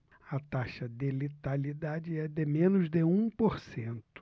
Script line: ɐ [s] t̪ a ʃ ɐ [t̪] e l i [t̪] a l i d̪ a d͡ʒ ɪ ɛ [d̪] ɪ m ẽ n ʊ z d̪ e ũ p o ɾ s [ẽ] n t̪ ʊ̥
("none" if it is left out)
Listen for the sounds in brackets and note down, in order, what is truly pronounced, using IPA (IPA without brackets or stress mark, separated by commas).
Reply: none, d̪, t̪, d̪, ẽ